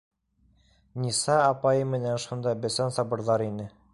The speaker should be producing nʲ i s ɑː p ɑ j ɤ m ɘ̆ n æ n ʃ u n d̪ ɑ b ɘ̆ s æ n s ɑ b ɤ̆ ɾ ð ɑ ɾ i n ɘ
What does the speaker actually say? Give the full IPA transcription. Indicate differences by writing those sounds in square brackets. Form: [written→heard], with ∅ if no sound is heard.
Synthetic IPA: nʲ i s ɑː p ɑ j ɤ m ɘ̆ n æ n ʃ u n d̪ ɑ b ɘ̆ s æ n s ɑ b ɤ̆ ɾ ð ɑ ɾ i n ɘ